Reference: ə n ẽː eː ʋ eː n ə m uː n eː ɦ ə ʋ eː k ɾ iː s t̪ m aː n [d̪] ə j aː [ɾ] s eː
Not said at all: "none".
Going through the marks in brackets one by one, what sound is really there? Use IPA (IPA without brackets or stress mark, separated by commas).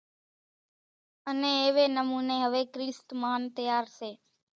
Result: t̪, ɾ